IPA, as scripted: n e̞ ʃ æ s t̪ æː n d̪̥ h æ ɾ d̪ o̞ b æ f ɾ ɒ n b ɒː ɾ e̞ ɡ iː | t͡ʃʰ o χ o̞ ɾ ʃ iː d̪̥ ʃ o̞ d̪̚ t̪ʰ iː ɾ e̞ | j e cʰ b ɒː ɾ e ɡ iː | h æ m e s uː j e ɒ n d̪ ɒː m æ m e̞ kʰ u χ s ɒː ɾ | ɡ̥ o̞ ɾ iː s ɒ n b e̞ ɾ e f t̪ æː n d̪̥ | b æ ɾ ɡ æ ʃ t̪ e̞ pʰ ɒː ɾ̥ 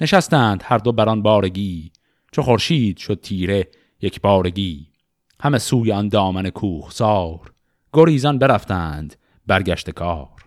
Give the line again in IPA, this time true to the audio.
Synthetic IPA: n e̞ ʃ æ s t̪ æː n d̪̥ h æ ɾ d̪ o̞ b æ ɾ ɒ n b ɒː ɾ e̞ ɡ iː | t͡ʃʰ o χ o̞ ɾ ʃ iː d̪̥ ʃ o̞ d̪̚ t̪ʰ iː ɾ e̞ | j e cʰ b ɒː ɾ e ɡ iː | h æ m e s uː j e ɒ n d̪ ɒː m æ n e̞ kʰ uː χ s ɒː ɾ | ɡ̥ o̞ ɾ iː z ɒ n b e̞ ɾ æ f t̪ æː n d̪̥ | b æ ɾ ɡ æ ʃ t̪ e̞ kʰ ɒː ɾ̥